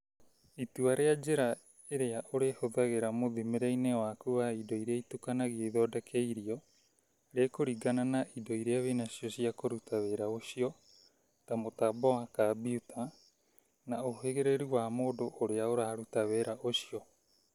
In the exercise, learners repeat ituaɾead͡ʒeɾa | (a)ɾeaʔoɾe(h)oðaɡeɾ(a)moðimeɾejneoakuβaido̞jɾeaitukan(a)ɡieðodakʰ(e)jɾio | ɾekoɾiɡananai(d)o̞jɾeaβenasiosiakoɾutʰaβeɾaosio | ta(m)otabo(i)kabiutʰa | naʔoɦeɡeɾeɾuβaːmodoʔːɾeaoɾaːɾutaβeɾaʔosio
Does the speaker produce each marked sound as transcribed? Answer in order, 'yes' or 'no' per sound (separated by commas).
no, yes, yes, yes, yes, yes, yes, no